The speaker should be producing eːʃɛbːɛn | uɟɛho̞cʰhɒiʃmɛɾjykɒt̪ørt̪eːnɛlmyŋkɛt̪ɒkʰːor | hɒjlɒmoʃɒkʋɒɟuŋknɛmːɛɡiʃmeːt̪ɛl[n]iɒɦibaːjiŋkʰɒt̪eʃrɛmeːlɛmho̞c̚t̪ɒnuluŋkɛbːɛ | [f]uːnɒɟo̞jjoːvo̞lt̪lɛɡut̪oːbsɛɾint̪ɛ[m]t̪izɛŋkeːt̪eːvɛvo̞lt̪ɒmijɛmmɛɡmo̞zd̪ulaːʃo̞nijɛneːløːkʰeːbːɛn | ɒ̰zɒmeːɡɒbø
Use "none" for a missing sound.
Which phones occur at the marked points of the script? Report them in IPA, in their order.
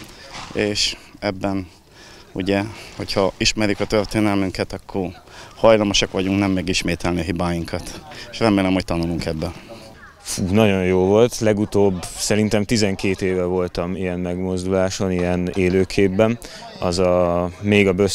n, f, m

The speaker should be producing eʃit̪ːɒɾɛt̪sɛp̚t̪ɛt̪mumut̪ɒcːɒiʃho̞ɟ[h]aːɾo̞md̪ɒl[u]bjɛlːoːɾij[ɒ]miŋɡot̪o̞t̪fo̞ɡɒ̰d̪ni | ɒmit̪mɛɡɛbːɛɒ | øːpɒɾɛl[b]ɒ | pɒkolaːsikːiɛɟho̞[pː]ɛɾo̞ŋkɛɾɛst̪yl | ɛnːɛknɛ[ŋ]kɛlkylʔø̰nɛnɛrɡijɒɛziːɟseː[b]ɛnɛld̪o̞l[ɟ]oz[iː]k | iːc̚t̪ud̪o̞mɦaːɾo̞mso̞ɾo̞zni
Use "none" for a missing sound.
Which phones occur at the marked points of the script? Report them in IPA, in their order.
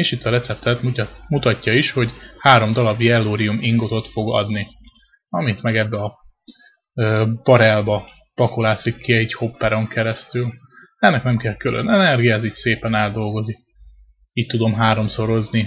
h, ɒ, u, b, pː, m, p, ɡ, i

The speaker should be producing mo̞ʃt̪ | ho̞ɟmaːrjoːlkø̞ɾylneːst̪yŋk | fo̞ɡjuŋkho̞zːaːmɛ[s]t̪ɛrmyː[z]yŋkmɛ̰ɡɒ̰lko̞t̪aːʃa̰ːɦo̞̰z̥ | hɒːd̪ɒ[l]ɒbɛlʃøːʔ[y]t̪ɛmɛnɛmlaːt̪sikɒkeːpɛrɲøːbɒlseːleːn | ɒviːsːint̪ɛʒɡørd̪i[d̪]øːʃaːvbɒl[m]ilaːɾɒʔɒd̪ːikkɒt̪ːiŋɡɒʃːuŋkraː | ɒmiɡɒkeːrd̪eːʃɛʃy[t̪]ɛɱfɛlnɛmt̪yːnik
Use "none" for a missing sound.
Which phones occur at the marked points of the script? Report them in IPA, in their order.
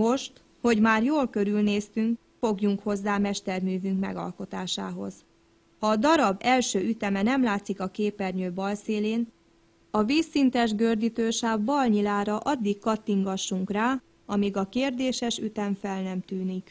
ʃ, v, ɾ, y, t̪, ɲ, t̪

